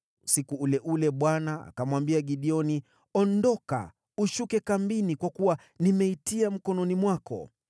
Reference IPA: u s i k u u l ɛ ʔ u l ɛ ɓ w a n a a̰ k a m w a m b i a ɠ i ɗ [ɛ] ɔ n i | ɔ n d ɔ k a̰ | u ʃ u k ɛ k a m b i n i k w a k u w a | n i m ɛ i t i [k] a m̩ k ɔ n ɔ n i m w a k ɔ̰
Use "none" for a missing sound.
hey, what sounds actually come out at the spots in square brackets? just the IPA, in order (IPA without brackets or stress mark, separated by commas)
i, none